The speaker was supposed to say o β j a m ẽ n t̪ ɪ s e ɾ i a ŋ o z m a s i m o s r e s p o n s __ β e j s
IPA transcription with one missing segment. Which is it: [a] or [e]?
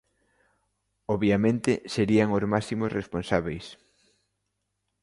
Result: a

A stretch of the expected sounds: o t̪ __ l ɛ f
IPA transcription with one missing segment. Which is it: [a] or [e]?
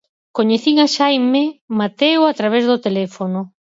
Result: e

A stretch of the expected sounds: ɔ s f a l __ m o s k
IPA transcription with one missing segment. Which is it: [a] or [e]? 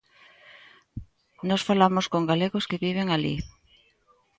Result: a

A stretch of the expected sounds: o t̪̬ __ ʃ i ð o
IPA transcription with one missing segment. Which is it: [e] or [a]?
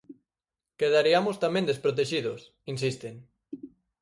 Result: e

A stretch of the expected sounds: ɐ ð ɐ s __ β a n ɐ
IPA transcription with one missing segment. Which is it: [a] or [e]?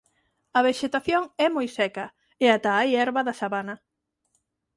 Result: a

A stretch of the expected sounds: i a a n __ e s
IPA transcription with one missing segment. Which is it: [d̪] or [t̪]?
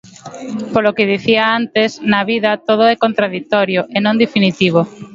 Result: t̪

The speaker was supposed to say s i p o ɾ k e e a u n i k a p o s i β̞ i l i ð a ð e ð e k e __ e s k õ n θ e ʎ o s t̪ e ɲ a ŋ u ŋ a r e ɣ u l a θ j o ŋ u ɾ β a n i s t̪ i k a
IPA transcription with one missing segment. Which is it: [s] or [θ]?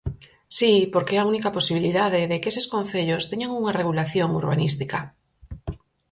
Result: s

